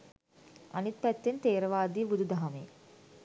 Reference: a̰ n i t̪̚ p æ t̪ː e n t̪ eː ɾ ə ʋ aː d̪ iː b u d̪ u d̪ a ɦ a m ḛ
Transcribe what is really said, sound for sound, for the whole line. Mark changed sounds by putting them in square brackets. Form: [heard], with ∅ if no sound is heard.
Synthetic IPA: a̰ n i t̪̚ p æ t̪ː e n t̪ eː ɾ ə ʋ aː d̪ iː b u d̪ u d̪ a ɦ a m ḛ